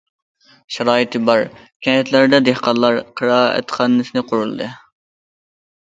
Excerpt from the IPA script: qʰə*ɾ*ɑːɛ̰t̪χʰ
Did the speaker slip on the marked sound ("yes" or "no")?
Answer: no